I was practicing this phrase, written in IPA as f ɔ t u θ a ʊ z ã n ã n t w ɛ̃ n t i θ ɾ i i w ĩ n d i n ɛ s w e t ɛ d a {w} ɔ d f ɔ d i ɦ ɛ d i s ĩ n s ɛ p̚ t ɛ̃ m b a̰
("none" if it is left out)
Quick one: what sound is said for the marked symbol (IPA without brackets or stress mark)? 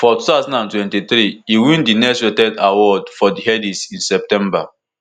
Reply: w